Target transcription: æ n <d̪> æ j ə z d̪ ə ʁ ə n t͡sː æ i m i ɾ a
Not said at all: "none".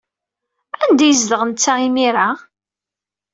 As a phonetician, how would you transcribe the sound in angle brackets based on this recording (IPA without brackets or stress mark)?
d̪